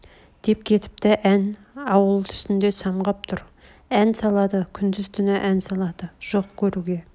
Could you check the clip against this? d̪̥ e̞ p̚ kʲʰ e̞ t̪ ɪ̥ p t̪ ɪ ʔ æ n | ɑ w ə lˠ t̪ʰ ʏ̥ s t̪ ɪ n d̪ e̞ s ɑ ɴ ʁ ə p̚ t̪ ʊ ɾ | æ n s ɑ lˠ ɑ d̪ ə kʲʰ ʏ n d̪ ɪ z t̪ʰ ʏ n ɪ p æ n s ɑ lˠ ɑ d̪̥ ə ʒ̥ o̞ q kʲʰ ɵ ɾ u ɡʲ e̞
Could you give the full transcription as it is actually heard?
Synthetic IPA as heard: d̪̥ e̞ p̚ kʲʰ e̞ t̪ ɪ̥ p t̪ ɪ ʔ æ n | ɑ w ə lˠ t̪ʰ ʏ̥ s t̪ ɪ n d̪ e̞ s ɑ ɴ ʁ ɑ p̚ t̪ʰ ʊ ɾ | æ n s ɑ lˠ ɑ d̪ ə kʲʰ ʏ n d̪ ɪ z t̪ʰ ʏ n ɪ ʔ æ n s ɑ lˠ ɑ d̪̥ ə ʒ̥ o̞ q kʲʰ ɵ ɾ u ɡʲ e̞

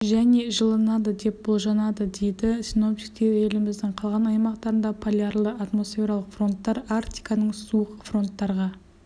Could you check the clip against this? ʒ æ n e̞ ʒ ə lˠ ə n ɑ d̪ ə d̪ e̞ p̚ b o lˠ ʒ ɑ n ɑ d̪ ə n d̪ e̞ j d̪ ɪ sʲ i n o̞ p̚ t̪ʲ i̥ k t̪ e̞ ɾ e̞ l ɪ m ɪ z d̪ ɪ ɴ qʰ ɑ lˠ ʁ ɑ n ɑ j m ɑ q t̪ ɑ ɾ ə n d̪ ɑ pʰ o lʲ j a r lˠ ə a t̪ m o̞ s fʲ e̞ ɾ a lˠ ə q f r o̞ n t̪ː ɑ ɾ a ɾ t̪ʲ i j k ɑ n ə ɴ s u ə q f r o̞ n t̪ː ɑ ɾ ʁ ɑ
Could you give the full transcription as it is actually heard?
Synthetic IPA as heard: ʒ æ n e̞ ʒ ə lˠ ə n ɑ d̪ ə d̪ e̞ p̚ b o lˠ ʒ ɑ n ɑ d̪ ə d̪ e̞ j d̪ ɪ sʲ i n o̞ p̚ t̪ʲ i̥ k t̪ e̞ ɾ e̞ l ɪ m ɪ z d̪ ɪ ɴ qʰ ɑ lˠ ʁ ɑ n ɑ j m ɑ q t̪ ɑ ɾ ə n d̪ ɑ pʰ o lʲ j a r lˠ ə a t̪ m o̞ s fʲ e̞ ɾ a lˠ ə q f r o̞ n t̪ː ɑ ɾ a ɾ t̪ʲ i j k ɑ n ə ɴ s u ə q f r o̞ n t̪ː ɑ ɾ ʁ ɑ

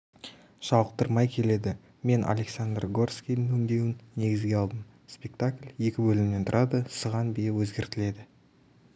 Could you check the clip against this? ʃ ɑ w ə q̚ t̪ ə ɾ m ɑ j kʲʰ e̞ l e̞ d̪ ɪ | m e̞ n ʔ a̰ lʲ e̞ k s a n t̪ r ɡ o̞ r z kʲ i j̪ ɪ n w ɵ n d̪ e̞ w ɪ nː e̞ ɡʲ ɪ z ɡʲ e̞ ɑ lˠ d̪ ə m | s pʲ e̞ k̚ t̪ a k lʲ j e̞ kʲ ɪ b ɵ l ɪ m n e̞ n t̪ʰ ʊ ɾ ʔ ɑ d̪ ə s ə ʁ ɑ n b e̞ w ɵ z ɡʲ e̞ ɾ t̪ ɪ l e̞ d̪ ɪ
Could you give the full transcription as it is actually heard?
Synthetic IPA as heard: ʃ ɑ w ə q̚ t̪ ə ɾ m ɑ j kʲʰ e̞ l e̞ d̪ ɪ | m e̞ n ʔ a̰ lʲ e̞ k s a n d̪ r ɡ o̞ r s kʲ i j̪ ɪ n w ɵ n d̪ e̞ w ɪ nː e̞ ɡʲ ɪ z ɡʲ e̞ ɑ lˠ d̪ ə m | s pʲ e̞ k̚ t̪ a k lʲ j e̞ kʲ ɪ b ɵ l ɪ m n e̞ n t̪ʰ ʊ ɾ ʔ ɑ d̪ ə s ə ʁ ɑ n b e̞ w ɵ z ɡʲ e̞ ɾ t̪ ɪ l e̞ d̪ ɪ

